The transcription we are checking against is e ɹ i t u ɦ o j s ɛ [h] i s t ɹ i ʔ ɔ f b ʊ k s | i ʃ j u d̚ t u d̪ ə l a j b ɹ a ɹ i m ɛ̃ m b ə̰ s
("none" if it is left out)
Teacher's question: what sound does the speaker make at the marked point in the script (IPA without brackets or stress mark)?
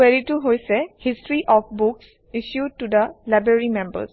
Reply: h